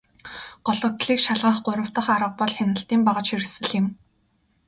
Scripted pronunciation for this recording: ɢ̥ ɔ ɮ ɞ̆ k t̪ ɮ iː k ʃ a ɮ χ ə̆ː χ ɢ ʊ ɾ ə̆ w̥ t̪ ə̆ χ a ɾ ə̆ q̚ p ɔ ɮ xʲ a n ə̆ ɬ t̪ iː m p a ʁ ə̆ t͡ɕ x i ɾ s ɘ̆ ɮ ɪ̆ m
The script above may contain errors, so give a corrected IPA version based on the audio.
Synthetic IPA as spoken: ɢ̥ ɔ ɮ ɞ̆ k t̪ ɮ iː k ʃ a ɮ ʁ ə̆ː χ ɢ ʊ ɾ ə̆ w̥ t̪ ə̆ χ a ɾ ə̆ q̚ p ɔ ɮ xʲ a n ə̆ ɬ t̪ iː m p a ʁ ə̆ t͡ɕ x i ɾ s ɘ̆ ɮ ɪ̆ m